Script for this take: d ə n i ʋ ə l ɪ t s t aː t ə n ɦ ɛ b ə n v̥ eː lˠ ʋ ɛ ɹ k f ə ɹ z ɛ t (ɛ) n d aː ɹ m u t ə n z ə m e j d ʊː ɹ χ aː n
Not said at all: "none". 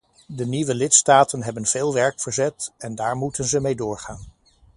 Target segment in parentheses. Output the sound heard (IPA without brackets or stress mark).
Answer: ɛ